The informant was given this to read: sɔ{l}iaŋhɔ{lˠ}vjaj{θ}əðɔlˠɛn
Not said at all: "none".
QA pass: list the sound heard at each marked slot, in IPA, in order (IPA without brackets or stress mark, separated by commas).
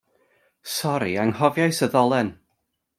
ɾ, none, s